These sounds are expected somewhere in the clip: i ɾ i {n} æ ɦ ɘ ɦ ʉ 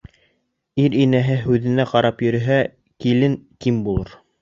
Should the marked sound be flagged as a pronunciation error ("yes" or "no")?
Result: no